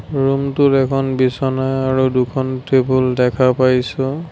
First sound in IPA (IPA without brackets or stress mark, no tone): ɹ